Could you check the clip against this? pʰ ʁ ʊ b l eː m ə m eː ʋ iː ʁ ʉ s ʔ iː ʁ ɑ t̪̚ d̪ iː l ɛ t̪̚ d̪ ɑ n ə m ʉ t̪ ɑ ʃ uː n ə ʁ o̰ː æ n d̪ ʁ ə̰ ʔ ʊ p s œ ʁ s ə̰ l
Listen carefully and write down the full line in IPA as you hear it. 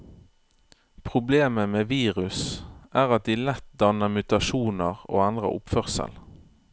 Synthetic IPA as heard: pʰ ʁ ʊ b l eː m ə m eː ʋ iː ʁ ʉ s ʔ æː ʁ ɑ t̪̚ d̪ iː l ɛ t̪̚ d̪ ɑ n ə m ʉ t̪ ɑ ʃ uː n ə ʁ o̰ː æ n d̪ ʁ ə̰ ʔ ʊ p f œ ʁ s ə̰ l